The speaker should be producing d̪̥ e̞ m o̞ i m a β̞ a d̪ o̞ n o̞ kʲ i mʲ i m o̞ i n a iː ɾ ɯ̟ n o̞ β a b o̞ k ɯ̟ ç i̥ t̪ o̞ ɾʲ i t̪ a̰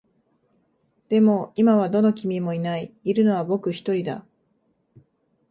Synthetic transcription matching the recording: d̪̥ e̞ m o̞ i m a β̞ a d̪ o̞ n o̞ kʲ i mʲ i m o̞ i n a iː ɾ ɯ̟ n o̞ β a b o̞ k ɯ̟ ç i̥ t̪ o̞ ɾʲ i d̪ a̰